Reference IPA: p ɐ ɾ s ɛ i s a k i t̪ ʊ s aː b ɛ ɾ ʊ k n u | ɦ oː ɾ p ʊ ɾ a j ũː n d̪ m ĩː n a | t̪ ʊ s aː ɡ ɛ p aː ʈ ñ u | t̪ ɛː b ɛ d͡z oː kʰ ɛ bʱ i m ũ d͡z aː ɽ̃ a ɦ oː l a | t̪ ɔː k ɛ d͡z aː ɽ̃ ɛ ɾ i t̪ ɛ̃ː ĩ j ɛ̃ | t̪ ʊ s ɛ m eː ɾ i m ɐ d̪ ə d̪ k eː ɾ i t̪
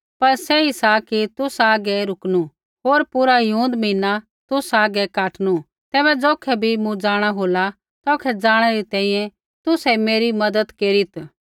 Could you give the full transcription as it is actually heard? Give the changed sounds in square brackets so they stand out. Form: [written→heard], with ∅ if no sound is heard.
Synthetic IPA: p ɐ ɾ s ɛ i s a k i t̪ ʊ s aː [b→ɡ] ɛ ɾ ʊ k n u | ɦ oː ɾ p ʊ ɾ a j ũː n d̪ m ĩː n a | t̪ ʊ s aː ɡ ɛ [p→k] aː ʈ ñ u | t̪ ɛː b ɛ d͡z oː kʰ ɛ bʱ i m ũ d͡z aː ɽ̃ a ɦ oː l a | t̪ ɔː [k→kʰ] ɛ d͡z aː ɽ̃ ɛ ɾ i t̪ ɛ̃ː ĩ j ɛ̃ | t̪ ʊ s ɛ m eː ɾ i m ɐ d̪ ə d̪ k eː ɾ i t̪